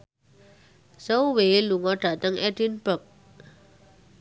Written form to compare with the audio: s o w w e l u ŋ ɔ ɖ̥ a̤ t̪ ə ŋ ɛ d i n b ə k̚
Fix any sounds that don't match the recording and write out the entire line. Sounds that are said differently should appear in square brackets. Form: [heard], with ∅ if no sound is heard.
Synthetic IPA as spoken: s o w w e l u ŋ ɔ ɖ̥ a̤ t̪ ə ŋ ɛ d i n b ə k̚